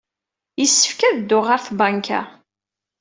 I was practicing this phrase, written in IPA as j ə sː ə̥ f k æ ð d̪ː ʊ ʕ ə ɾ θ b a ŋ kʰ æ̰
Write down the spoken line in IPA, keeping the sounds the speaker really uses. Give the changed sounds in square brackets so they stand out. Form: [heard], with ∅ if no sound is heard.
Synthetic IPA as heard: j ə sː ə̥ f k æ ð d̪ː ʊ [ʁ] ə ɾ θ b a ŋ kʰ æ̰